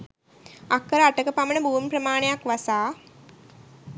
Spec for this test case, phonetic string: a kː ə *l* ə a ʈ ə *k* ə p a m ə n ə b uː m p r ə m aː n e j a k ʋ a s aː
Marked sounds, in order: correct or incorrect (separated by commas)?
incorrect, correct